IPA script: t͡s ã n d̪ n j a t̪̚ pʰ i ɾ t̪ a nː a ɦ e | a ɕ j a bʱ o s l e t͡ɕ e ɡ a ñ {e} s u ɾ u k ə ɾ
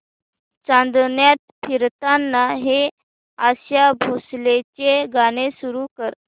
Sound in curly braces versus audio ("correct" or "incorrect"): correct